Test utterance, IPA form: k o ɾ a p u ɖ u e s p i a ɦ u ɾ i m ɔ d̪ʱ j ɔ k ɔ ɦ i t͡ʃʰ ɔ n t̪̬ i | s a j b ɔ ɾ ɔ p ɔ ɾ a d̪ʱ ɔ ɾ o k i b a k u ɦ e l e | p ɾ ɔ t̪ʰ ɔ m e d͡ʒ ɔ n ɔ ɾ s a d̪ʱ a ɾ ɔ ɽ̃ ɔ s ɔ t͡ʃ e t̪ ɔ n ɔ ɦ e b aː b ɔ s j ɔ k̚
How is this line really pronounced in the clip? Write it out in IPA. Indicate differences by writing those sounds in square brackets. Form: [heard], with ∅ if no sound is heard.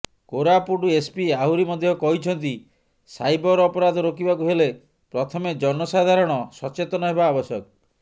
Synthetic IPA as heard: k o ɾ a p u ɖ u e s p i a ɦ u ɾ i m ɔ d̪ʱ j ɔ k ɔ ɦ i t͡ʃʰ ɔ n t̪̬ i | s a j b ɔ ɾ ɔ p ɔ ɾ a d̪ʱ ɔ ɾ o k i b a k u ɦ e l e | p ɾ ɔ t̪ʰ ɔ m e d͡ʒ ɔ n ɔ [∅] s a d̪ʱ a ɾ ɔ ɽ̃ ɔ s ɔ t͡ʃ e t̪ ɔ n ɔ ɦ e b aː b ɔ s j ɔ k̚